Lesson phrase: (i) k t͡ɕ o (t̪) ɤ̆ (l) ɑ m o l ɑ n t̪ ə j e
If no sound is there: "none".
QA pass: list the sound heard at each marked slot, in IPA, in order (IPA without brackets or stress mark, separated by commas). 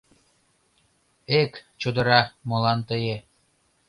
e, d̪, ɾ